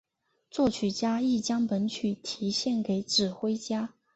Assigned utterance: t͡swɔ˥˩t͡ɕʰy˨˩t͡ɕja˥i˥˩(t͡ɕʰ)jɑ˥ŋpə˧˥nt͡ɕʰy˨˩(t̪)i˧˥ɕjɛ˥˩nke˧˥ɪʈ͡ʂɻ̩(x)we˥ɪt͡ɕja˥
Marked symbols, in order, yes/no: no, no, yes

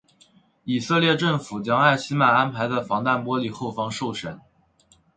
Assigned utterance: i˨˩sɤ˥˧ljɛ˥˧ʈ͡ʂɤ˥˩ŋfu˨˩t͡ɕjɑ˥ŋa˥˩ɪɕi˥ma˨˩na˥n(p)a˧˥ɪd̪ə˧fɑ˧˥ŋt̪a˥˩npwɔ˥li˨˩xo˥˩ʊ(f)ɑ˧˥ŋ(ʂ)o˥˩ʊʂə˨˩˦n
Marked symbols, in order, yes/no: no, yes, yes

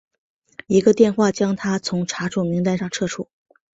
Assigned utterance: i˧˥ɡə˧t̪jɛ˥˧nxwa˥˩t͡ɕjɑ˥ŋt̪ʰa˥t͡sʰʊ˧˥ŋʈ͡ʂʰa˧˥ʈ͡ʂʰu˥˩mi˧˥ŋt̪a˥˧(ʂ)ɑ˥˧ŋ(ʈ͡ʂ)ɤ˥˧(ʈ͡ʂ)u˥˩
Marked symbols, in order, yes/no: yes, no, no

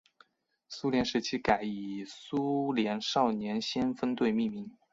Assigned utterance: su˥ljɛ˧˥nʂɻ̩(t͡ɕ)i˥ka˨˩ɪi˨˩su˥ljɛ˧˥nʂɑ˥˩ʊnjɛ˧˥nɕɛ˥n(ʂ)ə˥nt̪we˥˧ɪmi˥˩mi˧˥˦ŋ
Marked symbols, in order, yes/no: no, no

